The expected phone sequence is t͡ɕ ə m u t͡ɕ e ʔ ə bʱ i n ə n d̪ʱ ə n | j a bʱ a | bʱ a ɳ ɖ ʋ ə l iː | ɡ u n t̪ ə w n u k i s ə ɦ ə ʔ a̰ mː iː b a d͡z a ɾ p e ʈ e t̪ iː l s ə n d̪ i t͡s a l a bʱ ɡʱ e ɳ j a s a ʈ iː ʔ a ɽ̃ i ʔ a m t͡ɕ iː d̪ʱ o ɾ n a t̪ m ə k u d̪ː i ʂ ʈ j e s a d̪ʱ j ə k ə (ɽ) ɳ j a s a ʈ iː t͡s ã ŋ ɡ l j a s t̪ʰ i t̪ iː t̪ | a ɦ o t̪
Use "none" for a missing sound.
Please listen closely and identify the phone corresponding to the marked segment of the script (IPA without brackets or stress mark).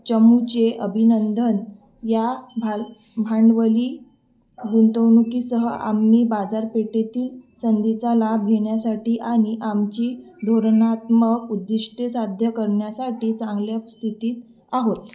ɾ